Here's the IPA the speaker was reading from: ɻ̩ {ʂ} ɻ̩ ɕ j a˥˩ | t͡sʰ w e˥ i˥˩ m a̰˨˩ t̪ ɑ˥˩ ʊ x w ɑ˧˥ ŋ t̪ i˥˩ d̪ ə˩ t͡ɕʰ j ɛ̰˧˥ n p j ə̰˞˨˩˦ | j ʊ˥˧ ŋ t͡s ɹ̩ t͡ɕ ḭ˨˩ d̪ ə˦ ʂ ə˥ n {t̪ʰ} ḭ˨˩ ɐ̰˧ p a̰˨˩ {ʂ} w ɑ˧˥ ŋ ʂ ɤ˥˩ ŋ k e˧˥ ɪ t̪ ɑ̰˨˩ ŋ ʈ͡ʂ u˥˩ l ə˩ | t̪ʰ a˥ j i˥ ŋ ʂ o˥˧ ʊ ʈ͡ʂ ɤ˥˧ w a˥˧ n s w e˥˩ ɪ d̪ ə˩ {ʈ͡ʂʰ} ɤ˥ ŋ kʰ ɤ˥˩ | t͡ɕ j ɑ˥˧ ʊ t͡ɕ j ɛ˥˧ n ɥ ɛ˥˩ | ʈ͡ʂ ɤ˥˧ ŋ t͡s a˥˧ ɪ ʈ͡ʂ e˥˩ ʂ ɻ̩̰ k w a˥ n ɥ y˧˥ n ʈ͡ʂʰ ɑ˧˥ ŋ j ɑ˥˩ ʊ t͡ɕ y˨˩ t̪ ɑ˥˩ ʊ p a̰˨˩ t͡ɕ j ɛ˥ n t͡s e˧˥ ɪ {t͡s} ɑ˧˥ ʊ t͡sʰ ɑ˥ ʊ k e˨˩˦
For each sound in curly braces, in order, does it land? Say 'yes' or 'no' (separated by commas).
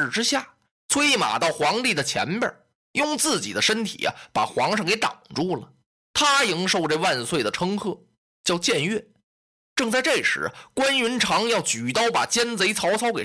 no, yes, no, yes, no